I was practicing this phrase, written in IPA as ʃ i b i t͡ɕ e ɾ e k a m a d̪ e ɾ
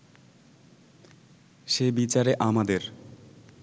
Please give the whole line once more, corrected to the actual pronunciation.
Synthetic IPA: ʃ e b i t͡ɕ a ɾ e ʔ a m a d̪ e ɾ